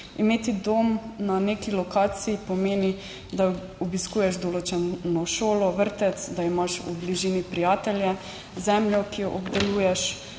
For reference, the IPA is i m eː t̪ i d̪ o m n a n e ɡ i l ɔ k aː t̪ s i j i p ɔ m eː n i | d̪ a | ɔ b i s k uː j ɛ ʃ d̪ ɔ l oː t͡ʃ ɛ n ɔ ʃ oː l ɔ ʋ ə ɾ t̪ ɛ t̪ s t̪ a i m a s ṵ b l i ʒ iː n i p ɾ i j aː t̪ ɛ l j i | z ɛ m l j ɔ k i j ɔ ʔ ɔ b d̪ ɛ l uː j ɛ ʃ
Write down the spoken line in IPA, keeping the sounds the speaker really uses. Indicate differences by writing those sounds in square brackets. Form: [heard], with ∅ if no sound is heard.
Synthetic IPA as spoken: i m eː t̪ i d̪ o m n a n e [k] i l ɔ k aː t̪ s i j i p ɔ m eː n i | d̪ a | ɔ b i s k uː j ɛ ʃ d̪ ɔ l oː t͡ʃ ɛ n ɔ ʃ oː l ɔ ʋ ə ɾ t̪ ɛ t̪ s [d̪] a i m a [ʃ] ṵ b l i ʒ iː n i p ɾ i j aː t̪ ɛ l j [ɛ] | z ɛ m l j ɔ k i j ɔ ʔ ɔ b d̪ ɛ l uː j ɛ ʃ